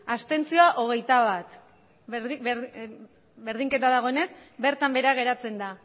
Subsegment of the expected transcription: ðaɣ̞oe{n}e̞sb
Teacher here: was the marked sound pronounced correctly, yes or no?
yes